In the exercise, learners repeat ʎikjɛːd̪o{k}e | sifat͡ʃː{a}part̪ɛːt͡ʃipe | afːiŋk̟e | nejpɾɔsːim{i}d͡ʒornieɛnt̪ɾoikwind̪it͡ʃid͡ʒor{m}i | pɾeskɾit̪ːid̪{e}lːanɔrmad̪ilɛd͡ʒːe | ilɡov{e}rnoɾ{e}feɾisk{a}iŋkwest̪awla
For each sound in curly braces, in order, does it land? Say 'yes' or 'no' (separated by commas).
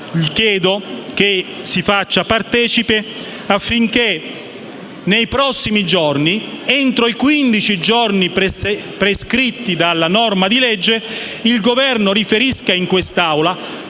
yes, yes, yes, no, no, no, no, yes